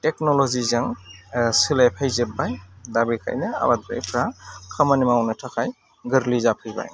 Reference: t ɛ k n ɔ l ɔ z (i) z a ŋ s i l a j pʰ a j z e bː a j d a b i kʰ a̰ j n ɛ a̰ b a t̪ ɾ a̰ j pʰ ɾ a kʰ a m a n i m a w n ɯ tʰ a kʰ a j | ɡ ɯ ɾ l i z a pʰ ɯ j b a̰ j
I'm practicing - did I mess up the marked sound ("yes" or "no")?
no